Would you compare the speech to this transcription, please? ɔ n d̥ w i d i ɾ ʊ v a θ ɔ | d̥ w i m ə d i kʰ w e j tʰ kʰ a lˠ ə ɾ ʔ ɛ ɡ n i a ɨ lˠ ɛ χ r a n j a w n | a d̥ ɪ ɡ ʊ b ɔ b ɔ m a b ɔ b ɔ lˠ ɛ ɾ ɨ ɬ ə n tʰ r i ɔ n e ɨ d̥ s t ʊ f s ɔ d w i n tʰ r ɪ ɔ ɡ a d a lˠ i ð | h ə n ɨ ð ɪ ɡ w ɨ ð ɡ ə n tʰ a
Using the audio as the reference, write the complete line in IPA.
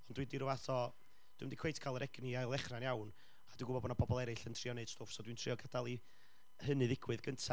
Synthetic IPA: ɔ n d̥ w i d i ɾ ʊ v a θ ɔ | d̥ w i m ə d i kʰ w e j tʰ kʰ a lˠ ə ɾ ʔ ɛ ɡ n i a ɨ lˠ ɛ χ r a n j a w n | a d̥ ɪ ɡ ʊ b ɔ b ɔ n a b ɔ b ɔ lˠ ɛ ɾ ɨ ɬ ə n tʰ r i ɔ n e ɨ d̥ s t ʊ f s ɔ d w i n tʰ r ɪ ɔ ɡ a d a lˠ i | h ə n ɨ ð ɪ ɡ w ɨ ð ɡ ə n tʰ a